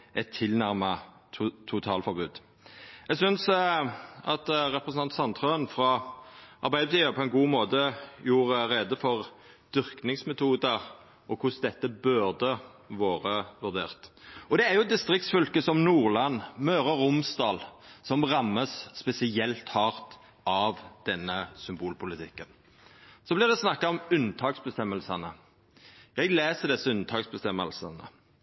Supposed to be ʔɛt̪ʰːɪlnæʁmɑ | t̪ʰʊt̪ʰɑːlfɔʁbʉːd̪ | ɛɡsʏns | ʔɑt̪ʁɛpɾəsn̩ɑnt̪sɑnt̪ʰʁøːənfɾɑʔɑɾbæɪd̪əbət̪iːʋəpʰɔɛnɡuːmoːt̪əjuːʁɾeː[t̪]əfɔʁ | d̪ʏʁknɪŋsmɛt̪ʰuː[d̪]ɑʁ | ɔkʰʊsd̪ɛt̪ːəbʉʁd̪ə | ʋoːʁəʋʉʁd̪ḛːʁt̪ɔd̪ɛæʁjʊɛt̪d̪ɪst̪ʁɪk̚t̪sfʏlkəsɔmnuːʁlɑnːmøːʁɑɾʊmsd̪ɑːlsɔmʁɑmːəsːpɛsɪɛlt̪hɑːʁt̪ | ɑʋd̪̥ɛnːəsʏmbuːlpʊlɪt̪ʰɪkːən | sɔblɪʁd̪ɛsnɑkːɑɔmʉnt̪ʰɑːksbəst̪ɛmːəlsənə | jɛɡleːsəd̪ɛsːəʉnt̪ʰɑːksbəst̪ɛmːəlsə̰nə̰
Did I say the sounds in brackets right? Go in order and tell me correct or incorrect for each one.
incorrect: d̪, correct

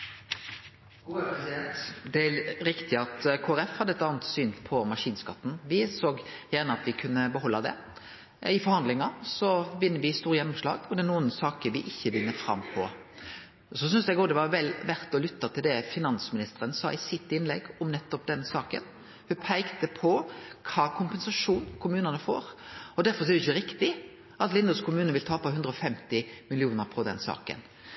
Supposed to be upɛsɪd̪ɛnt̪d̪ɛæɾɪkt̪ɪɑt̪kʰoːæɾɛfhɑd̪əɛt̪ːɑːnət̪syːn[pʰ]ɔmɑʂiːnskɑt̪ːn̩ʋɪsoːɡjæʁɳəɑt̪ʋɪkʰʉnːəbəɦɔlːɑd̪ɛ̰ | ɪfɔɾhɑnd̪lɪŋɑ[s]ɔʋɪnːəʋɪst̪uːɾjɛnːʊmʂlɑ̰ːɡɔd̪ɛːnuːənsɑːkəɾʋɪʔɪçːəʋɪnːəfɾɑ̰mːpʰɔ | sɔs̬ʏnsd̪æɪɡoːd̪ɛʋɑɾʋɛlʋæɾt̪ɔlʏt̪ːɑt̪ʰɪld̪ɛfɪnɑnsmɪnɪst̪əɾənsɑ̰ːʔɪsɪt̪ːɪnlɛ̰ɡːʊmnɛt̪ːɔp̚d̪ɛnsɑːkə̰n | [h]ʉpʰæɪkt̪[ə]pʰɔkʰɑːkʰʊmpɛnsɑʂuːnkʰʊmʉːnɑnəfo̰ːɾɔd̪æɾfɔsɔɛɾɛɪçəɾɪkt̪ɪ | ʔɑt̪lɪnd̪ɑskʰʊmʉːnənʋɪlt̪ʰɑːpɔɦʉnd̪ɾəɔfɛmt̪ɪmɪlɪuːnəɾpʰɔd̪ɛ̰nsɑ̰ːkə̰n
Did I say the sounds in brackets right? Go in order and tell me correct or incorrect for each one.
correct, correct, correct, correct

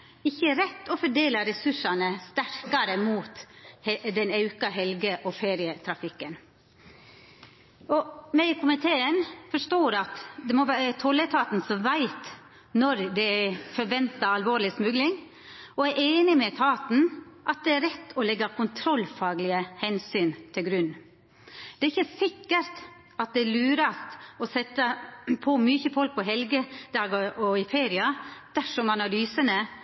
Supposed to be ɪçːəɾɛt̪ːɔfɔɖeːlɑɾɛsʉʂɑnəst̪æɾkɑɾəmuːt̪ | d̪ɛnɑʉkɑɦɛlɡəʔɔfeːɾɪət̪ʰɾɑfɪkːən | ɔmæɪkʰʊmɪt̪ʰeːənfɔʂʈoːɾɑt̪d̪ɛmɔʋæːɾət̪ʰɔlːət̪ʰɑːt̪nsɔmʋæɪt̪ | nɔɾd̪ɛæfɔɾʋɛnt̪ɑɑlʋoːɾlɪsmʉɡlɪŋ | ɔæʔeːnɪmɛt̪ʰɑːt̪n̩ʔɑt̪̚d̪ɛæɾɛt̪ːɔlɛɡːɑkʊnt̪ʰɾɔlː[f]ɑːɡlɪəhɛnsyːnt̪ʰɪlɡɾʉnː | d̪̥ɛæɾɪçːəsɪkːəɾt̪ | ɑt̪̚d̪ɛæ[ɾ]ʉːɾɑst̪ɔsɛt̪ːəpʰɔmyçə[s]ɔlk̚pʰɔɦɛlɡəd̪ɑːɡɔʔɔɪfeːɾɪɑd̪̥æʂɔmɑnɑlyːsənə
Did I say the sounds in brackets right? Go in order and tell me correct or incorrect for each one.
correct, incorrect: l, incorrect: f

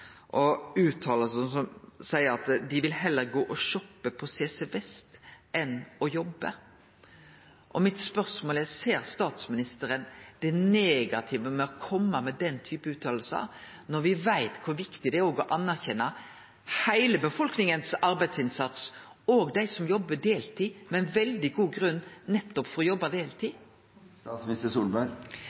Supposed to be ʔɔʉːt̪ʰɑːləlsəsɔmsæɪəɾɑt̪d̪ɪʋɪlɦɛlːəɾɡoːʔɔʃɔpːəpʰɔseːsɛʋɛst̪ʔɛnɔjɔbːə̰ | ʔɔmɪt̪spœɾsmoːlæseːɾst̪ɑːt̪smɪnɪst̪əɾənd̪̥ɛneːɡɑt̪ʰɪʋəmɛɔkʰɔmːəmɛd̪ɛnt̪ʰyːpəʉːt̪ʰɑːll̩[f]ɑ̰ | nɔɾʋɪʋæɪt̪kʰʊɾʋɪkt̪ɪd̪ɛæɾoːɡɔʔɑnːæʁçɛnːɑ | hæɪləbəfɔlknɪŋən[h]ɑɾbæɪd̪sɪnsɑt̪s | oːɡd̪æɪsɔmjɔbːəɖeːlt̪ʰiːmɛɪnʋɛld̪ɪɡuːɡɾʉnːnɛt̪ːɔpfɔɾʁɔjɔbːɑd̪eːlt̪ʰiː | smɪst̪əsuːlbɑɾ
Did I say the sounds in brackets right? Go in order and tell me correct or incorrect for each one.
incorrect: s, incorrect: s

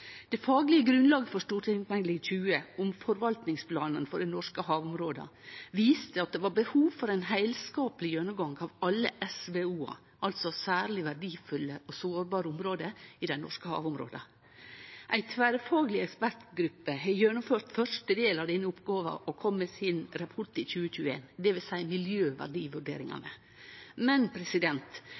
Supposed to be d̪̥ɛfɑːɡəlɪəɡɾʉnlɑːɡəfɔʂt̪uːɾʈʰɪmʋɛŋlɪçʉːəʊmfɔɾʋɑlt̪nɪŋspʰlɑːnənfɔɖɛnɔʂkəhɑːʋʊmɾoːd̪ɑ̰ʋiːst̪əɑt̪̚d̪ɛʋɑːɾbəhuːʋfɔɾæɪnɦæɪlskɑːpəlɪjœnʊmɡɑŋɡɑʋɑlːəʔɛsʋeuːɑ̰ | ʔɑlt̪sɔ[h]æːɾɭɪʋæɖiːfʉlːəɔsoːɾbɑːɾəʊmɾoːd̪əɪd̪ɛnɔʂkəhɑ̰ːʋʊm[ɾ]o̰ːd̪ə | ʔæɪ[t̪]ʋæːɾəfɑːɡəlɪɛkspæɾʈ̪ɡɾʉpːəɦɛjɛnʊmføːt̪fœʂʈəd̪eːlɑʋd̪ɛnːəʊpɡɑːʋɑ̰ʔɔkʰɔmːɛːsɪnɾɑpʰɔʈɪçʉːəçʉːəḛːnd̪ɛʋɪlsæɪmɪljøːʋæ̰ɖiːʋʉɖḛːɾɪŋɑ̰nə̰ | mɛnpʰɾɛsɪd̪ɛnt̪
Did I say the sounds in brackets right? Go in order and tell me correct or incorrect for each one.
incorrect: s, correct, incorrect: t̪ʰ

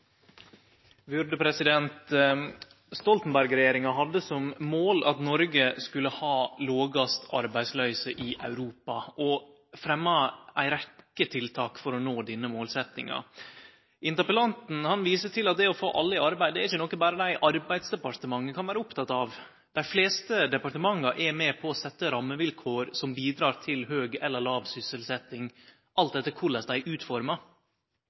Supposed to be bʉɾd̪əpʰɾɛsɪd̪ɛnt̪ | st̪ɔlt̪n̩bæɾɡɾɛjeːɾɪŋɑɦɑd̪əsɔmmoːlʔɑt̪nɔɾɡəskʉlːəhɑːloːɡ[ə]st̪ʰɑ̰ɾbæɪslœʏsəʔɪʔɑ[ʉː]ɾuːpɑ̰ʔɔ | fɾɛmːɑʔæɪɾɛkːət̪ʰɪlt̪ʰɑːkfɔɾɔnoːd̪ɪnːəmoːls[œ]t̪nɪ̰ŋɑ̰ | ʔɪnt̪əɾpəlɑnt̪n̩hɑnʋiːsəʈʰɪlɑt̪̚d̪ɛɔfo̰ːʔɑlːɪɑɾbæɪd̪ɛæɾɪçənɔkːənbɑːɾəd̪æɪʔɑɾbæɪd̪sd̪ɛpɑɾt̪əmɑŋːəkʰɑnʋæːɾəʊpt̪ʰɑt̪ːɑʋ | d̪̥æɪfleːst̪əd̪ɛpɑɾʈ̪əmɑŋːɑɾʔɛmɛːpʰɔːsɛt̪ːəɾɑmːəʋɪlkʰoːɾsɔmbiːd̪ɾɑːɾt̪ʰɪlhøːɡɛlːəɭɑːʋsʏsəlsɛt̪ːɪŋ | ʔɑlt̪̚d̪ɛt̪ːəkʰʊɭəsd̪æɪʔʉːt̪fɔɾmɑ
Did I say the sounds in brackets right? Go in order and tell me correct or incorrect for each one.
incorrect: ɑ, incorrect: ʉ, incorrect: ɛ

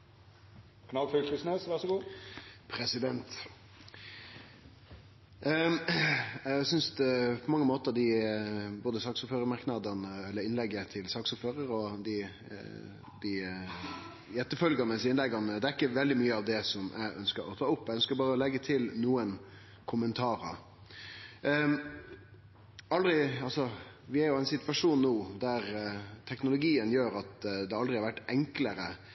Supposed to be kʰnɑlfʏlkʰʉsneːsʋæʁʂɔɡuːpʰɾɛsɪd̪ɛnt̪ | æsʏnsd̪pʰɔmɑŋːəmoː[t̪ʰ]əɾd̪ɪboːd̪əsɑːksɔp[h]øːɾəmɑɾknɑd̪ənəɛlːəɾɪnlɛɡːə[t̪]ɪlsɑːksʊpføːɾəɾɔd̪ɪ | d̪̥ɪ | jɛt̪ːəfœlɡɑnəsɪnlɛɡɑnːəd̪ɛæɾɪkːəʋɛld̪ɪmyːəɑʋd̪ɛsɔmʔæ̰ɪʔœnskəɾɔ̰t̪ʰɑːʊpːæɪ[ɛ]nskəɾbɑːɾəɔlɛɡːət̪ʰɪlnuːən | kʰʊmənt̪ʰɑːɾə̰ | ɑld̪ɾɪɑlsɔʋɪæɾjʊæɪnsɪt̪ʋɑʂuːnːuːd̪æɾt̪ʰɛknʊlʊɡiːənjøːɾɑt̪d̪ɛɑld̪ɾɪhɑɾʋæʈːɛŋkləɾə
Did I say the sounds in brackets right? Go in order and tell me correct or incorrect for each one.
incorrect: t̪, incorrect: f, incorrect: t̪ʰ, incorrect: œ

